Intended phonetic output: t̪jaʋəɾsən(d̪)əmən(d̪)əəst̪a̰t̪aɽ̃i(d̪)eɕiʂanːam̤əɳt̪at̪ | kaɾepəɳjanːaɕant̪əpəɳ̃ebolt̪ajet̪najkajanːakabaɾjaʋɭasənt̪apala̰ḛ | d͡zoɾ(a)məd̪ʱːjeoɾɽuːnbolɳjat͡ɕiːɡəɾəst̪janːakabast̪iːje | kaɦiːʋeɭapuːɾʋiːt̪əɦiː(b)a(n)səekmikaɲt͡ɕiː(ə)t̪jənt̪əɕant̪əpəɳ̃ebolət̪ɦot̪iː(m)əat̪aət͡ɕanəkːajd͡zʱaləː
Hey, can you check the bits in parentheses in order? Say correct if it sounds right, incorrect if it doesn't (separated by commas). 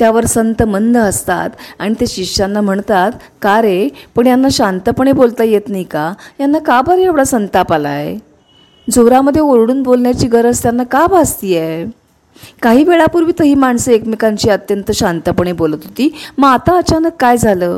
incorrect, correct, incorrect, correct, incorrect, incorrect, correct, correct